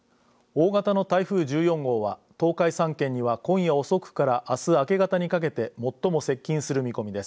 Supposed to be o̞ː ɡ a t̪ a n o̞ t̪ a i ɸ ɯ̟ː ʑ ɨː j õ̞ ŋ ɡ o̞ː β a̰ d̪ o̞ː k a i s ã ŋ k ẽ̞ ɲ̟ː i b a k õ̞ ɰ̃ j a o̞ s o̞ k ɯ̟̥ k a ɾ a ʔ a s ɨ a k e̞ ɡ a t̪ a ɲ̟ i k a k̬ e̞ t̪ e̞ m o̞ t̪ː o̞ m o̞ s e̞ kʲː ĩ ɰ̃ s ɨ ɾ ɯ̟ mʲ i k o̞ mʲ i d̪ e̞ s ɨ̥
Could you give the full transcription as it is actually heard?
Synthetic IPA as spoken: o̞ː ɡ a t̪ a n o̞ t̪ a i ɸ ɯ̟ː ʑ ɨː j õ̞ ŋ ɡ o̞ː β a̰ t̪ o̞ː k a i s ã ŋ k ẽ̞ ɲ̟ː i β a k õ̞ ɰ̃ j a o̞ s o̞ k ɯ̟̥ k a ɾ a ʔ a s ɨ a k e̞ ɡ a t̪ a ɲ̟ i k a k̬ e̞ t̪ e̞ m o̞ t̪ː o̞ m o̞ s e̞ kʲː ĩ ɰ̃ s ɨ ɾ ɯ̟ mʲ i k o̞ mʲ i d̪ e̞ s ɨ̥